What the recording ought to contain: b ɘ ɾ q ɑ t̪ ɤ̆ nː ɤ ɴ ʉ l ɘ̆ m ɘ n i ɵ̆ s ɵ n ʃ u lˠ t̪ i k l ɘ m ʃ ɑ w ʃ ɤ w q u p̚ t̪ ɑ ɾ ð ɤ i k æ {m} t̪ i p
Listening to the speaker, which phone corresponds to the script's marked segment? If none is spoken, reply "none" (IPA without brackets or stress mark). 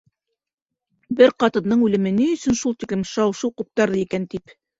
n